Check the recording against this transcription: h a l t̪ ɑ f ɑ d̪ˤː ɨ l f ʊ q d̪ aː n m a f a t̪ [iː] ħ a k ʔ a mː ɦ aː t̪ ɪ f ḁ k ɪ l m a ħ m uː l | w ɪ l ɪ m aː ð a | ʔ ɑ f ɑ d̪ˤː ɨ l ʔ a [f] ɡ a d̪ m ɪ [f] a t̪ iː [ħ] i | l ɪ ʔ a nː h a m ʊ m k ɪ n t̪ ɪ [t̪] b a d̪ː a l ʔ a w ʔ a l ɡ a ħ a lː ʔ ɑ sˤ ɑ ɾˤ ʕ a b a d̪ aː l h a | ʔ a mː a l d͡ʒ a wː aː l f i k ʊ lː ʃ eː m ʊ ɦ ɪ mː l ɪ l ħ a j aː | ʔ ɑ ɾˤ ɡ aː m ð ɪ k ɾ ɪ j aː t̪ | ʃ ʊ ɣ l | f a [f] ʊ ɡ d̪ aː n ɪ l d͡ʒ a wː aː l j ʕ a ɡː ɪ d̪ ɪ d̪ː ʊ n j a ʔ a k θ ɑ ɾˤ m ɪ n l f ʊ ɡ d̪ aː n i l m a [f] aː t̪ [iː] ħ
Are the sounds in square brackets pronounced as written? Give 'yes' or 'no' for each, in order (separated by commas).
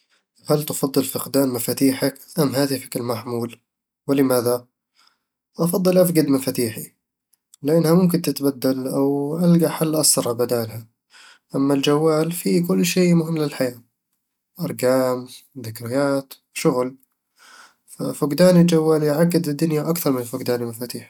yes, yes, yes, yes, yes, yes, yes, yes